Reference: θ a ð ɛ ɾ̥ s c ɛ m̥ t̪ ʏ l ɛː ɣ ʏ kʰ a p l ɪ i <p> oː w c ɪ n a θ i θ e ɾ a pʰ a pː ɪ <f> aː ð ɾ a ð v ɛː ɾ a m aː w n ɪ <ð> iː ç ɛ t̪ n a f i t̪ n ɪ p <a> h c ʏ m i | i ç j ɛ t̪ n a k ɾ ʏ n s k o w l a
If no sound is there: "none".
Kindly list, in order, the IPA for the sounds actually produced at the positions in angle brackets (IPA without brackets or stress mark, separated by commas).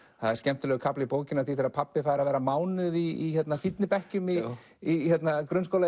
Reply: p, f, ð, ɛ